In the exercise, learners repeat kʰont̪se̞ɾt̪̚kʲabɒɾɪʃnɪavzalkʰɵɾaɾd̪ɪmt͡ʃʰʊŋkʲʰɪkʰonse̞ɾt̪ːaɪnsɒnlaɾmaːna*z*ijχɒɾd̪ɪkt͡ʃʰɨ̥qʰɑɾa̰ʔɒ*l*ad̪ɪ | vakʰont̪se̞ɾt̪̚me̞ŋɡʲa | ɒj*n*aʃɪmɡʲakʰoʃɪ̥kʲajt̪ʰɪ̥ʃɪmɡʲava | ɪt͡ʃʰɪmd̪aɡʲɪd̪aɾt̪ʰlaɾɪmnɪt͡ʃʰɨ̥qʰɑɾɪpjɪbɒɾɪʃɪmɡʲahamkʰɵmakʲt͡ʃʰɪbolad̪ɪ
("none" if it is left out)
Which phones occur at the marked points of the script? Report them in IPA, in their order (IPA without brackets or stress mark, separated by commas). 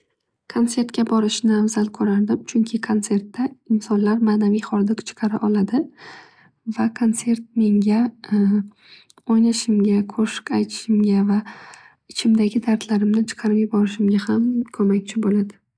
v, l, n